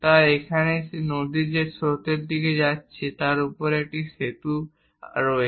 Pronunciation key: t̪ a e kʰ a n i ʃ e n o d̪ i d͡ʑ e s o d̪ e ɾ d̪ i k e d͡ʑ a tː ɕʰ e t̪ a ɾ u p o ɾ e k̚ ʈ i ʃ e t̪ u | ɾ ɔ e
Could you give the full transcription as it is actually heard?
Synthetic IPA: t̪ a e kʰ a n e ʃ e n o d̪ i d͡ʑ e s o t̪ e ɾ d̪ i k e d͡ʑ a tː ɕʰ e t̪ a ɾ u p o ɾ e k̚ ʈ i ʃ e t̪ u | ɾ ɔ e